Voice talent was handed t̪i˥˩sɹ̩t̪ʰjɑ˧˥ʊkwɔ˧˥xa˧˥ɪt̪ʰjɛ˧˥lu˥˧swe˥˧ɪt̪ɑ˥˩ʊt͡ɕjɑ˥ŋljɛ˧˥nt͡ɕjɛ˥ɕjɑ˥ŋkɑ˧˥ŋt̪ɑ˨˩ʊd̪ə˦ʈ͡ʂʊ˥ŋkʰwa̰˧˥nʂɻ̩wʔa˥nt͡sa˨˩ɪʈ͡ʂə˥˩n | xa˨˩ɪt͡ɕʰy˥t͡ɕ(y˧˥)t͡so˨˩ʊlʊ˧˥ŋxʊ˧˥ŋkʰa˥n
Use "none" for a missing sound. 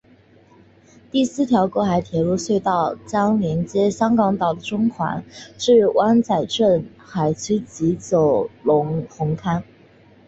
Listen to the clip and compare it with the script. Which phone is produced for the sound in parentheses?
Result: i˧˥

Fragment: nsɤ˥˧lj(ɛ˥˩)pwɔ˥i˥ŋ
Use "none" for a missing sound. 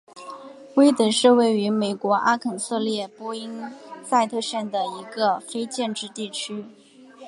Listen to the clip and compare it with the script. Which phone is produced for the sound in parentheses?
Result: ɛ˥˩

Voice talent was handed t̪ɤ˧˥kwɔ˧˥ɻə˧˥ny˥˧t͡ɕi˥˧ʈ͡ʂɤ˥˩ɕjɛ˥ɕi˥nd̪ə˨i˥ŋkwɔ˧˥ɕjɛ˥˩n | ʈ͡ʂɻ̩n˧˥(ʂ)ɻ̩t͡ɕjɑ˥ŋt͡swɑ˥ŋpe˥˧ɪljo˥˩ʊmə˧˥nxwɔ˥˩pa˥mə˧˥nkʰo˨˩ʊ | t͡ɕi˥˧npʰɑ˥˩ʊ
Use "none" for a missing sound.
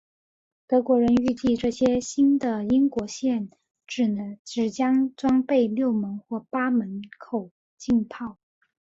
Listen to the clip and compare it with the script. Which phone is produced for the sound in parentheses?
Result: ʈ͡ʂ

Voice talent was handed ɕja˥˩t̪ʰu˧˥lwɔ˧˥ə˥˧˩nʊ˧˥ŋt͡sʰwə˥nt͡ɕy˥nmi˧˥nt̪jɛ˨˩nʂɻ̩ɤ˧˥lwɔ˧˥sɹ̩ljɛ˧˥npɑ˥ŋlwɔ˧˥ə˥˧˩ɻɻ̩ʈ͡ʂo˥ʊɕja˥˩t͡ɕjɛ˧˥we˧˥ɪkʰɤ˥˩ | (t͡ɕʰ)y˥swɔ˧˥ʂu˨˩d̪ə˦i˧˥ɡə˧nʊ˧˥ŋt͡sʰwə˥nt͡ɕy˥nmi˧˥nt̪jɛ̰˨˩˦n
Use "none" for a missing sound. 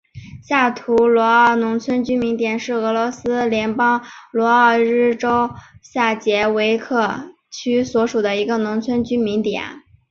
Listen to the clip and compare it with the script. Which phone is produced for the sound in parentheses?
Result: t͡ɕʰ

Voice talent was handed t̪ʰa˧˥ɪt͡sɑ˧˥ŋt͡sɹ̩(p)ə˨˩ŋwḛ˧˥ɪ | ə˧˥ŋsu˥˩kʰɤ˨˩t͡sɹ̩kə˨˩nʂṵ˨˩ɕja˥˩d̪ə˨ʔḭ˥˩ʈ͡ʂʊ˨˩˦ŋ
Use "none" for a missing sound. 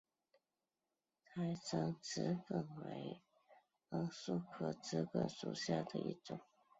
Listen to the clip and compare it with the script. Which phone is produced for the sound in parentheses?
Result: k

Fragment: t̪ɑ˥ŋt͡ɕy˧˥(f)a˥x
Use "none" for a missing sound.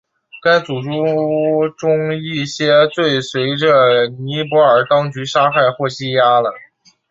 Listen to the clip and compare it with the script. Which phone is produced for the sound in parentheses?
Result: ʂ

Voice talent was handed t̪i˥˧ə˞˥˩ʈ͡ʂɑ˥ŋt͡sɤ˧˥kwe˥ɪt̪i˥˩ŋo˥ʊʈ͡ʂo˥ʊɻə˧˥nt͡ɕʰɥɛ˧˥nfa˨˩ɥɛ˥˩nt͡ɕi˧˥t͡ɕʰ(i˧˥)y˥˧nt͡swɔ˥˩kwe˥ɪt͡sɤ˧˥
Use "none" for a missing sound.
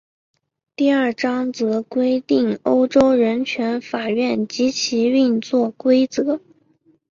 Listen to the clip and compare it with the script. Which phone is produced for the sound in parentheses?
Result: i˧˥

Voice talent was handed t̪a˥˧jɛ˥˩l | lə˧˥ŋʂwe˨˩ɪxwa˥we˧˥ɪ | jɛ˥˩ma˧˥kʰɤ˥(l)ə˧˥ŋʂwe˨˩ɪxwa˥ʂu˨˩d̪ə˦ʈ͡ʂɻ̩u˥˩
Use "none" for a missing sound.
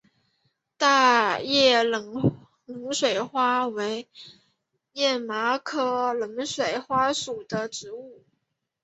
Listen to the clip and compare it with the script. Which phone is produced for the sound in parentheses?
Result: l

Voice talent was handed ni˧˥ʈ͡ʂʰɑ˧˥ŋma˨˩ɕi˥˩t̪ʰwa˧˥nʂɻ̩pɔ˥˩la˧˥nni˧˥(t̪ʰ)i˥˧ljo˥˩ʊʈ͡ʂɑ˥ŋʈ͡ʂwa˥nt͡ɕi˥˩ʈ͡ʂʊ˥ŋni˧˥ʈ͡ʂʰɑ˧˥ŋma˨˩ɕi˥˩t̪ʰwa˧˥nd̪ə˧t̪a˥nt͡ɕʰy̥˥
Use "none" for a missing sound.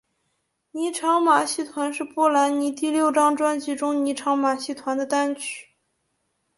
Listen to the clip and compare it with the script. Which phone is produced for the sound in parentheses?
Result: t̪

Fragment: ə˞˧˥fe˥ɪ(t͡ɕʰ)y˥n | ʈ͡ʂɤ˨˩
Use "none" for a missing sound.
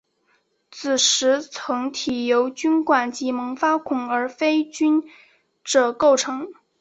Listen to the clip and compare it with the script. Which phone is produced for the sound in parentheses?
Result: t͡ɕ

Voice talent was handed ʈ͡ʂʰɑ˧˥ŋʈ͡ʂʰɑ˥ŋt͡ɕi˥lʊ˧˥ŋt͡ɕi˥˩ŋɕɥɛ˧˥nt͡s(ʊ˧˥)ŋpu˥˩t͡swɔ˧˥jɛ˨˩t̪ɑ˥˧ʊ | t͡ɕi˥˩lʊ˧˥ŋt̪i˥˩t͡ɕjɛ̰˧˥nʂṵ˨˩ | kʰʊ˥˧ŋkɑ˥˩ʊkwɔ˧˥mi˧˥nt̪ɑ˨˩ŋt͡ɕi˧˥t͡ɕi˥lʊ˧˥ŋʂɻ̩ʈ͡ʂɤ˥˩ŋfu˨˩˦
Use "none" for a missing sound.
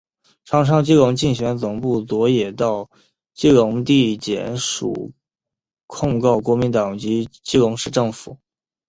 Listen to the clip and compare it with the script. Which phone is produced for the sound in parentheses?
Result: ʊ˨˩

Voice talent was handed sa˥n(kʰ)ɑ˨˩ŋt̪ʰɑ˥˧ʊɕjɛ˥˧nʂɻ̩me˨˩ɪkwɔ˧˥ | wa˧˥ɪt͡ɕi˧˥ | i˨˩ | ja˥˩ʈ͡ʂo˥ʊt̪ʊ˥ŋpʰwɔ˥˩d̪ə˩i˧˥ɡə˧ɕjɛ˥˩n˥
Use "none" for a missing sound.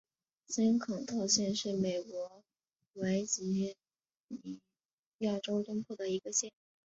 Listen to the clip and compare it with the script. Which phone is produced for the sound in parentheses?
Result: kʰ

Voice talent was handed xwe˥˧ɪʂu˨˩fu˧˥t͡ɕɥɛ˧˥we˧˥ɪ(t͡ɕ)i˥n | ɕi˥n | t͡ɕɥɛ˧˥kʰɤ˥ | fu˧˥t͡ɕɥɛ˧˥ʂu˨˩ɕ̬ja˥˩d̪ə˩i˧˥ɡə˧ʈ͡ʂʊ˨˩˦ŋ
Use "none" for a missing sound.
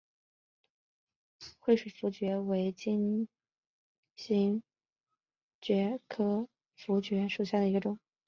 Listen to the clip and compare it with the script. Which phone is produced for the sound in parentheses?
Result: t͡ɕ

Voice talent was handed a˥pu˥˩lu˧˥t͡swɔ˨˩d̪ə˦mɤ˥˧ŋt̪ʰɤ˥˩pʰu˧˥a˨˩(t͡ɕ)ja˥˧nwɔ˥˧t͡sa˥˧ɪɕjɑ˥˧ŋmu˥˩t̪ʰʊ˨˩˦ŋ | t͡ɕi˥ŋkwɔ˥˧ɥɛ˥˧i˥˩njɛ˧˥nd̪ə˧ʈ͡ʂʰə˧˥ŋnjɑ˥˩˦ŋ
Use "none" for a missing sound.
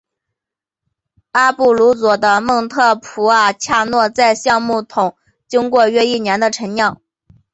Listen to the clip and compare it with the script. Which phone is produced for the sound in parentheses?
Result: t͡ɕʰ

